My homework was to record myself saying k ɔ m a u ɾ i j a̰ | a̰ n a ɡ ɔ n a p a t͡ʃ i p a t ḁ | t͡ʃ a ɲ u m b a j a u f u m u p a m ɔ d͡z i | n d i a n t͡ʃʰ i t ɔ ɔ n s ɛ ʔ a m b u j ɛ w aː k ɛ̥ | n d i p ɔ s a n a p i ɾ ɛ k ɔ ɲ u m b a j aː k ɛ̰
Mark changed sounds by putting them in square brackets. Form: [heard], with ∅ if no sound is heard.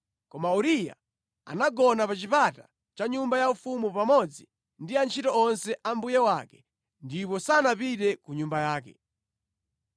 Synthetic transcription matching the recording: k ɔ m a u ɾ i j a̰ | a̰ n a ɡ ɔ n a p a t͡ʃ i p a t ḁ | t͡ʃ a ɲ u m b a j a u f u m u p a m ɔ d͡z i | n d i a n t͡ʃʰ i t ɔ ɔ n s ɛ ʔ a m b u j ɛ w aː k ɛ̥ | n d i p ɔ s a n a p i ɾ ɛ k [u] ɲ u m b a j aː k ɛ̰